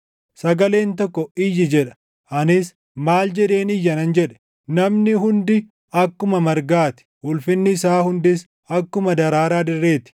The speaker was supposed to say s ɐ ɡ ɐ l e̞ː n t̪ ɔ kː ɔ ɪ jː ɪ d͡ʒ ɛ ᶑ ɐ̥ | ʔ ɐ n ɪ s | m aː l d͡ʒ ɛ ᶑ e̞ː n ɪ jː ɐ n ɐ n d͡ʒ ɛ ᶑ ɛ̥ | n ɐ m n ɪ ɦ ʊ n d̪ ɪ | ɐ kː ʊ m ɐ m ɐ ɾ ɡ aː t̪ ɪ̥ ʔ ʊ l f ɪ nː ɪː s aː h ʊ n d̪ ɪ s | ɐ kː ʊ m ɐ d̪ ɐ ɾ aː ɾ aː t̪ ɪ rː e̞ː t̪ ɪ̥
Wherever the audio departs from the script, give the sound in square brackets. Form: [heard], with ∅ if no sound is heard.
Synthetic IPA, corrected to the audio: s ɐ ɡ ɐ l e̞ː n t̪ ɔ kː ɔ ɪ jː ɪ d͡ʒ ɛ ᶑ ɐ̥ | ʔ ɐ n ɪ s | m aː l d͡ʒ ɛ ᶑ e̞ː n ɪ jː ɐ n ɐ n d͡ʒ ɛ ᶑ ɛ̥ | n ɐ m n ɪ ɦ ʊ n d̪ ɪ | ɐ kː ʊ m ɐ m ɐ ɾ ɡ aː t̪ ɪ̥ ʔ ʊ l f ɪ nː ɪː s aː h ʊ n d̪ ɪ s | ɐ kː ʊ m ɐ d̪ ɐ ɾ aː ɾ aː [d̪] ɪ rː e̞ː t̪ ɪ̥